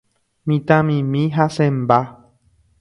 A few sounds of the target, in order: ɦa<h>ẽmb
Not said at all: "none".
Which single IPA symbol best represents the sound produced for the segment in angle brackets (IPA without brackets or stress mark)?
s